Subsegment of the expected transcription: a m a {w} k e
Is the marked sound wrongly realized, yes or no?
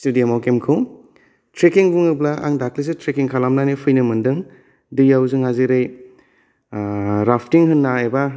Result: no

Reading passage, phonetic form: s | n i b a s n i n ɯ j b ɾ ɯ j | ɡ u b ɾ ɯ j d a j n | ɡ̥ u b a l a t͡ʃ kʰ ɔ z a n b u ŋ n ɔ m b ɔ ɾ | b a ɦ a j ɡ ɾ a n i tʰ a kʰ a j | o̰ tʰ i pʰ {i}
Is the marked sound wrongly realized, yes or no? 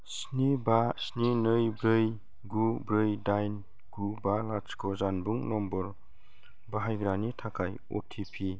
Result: no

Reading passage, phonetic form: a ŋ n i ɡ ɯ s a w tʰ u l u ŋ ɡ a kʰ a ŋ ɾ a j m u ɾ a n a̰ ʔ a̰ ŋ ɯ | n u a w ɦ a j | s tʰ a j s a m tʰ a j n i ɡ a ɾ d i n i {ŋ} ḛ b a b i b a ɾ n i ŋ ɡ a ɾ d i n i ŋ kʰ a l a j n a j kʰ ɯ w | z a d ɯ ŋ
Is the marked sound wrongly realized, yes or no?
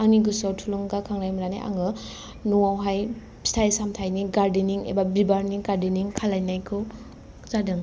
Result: no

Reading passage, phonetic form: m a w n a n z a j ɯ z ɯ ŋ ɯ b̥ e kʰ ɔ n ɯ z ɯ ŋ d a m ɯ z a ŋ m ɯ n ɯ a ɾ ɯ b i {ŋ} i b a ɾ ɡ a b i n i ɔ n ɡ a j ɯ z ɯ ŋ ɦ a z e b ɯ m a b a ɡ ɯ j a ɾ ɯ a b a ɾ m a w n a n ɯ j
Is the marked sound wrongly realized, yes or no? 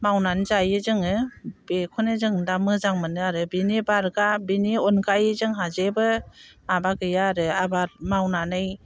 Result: yes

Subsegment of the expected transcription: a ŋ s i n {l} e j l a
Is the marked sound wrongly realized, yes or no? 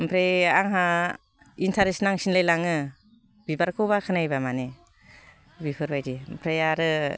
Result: no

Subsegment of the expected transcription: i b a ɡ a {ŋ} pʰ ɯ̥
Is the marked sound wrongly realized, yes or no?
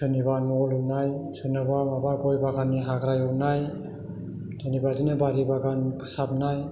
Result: yes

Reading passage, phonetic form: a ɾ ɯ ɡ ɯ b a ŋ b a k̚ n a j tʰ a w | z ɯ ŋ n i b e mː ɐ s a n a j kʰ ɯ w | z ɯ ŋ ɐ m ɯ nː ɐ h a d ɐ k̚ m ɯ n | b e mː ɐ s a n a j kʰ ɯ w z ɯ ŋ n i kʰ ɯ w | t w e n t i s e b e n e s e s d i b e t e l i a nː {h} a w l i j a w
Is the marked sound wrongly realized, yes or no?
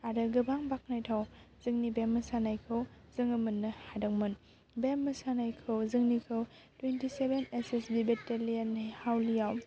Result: no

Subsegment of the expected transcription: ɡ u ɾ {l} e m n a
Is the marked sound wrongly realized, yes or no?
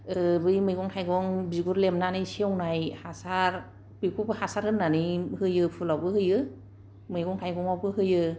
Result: no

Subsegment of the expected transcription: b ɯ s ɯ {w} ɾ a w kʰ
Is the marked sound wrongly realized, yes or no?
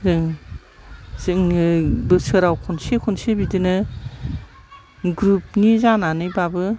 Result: yes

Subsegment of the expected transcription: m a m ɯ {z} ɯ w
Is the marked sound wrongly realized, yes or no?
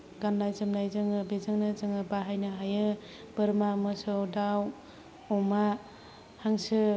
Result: yes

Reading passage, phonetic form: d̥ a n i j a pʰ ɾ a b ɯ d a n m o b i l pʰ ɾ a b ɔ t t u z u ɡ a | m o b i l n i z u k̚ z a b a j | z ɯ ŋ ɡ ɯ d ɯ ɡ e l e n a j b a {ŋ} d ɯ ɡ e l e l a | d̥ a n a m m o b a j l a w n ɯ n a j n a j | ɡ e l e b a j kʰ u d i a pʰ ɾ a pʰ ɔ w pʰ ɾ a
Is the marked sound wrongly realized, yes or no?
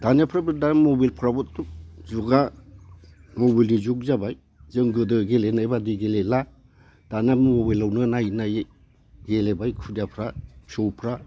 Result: yes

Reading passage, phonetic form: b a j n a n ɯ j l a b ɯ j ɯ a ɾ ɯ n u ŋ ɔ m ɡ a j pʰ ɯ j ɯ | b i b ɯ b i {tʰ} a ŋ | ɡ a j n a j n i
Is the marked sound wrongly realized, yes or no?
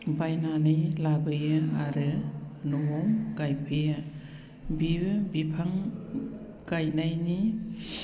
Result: yes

